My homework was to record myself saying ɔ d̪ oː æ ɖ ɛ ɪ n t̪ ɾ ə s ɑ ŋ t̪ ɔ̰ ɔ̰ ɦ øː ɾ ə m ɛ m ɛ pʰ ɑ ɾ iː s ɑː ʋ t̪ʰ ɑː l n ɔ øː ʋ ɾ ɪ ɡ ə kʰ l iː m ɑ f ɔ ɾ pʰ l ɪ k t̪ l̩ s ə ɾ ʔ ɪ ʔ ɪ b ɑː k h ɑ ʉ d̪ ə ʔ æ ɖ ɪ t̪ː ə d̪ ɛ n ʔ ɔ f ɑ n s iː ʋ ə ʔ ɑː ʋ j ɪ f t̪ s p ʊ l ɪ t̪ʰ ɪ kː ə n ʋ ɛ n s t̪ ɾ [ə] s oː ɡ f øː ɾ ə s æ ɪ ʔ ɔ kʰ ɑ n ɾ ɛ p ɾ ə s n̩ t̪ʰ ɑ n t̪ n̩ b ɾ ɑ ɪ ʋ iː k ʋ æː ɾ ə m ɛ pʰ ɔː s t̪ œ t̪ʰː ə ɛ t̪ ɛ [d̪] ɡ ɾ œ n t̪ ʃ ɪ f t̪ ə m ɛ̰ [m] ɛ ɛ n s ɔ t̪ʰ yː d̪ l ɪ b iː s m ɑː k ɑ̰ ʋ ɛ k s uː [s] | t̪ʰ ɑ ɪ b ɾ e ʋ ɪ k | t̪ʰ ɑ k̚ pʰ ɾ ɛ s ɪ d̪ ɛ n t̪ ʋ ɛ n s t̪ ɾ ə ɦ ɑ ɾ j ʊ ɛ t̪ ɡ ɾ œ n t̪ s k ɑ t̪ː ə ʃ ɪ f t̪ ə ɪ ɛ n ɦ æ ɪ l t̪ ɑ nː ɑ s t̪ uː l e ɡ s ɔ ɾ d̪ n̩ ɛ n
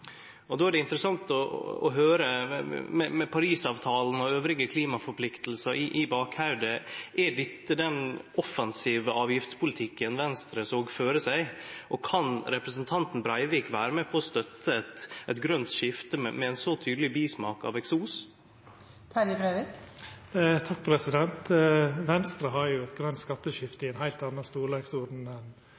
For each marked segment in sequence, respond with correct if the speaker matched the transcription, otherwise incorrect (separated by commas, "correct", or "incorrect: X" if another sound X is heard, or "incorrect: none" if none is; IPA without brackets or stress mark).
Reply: correct, incorrect: t̪, correct, correct